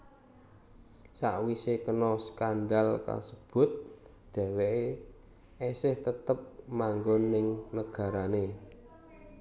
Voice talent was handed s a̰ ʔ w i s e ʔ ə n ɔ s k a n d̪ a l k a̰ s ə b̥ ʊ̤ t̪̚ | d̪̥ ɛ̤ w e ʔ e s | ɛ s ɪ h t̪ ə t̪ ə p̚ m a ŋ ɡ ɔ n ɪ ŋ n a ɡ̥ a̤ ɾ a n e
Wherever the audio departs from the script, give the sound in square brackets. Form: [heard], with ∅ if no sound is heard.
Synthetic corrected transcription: s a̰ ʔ w i s e [k] ə n ɔ s k a n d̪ a l k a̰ s ə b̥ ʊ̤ t̪̚ | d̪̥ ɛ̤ w e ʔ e [∅] | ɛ s ɪ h t̪ ə t̪ ə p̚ m a ŋ ɡ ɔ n ɪ ŋ n [ə] ɡ̥ a̤ ɾ a n e